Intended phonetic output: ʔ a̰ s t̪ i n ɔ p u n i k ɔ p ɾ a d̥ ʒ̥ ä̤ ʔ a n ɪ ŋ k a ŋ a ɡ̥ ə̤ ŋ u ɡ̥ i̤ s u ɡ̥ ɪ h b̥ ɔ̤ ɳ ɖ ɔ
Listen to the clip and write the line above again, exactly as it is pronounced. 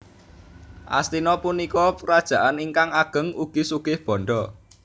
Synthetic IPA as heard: ʔ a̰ s t̪ i n ɔ p u n i k ɔ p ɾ a d̥ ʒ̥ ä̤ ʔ a n i ŋ k a ŋ a ɡ̥ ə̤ ŋ u ɡ̥ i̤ s u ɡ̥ ɪ h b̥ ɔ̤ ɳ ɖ ɔ